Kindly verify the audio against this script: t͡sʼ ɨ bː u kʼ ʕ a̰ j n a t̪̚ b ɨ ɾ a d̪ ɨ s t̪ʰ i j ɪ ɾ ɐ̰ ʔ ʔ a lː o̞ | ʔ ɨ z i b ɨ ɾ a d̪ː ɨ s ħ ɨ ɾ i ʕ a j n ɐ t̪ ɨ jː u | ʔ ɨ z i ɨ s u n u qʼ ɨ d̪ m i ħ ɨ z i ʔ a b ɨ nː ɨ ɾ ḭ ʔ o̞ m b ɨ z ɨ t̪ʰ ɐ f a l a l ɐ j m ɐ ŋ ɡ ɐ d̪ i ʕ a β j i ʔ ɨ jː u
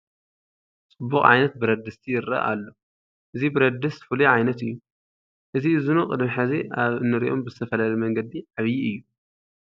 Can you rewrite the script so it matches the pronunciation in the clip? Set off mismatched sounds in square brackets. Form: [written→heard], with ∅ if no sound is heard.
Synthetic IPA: t͡sʼ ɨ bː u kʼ ʕ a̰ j n [a→ɐ] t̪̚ b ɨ ɾ [a→ɐ] d̪ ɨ s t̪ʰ i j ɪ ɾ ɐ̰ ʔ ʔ a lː o̞ | ʔ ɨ z i b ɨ ɾ [a→ɐ] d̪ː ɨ s [ħ→f] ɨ [ɾ→l] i ʕ a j n ɐ t̪ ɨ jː u | ʔ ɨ z i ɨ [s→z] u n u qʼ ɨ d̪ m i ħ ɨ z i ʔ a [b→β] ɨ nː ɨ ɾ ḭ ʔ o̞ m b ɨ z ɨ t̪ʰ ɐ f [a→ɐ] l a l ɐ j m ɐ ŋ ɡ ɐ d̪ i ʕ a β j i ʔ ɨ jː u